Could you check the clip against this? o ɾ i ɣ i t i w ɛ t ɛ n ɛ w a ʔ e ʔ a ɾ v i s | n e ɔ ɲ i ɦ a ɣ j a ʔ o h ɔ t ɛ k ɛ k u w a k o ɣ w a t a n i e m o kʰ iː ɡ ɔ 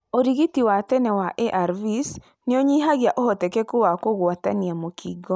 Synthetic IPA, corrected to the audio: o ɾ i ɣ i t i w a t ɛ n ɛ w a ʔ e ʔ a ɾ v i s | n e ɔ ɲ i ɦ a ɣ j a ʔ o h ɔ t ɛ k ɛ k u w a k o ɣ w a t a n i a m o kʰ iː ɡ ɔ